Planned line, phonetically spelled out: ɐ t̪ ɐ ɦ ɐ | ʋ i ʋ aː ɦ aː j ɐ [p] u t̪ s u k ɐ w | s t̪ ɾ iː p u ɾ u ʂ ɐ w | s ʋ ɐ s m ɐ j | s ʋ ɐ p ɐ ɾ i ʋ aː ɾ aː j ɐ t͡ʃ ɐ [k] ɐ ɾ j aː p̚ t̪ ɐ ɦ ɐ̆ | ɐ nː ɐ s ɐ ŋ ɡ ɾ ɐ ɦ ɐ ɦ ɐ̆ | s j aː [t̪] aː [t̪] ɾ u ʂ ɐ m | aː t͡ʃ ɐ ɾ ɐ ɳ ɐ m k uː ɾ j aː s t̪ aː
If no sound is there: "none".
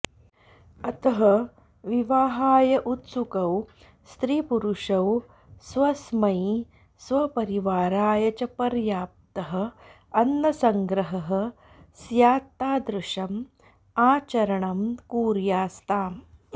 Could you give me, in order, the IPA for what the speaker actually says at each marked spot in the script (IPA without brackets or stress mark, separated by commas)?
ʔ, p, t̪, d̪